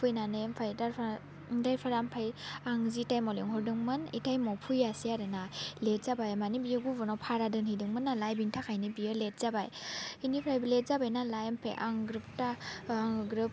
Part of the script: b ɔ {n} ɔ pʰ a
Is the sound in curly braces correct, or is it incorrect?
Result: correct